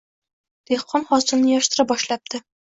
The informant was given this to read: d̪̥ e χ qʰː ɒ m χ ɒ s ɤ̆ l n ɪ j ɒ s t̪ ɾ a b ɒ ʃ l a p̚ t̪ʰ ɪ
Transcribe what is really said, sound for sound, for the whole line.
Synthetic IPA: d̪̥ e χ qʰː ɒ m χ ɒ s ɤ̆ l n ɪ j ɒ ʃ t̪ ɾ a b ɒ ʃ l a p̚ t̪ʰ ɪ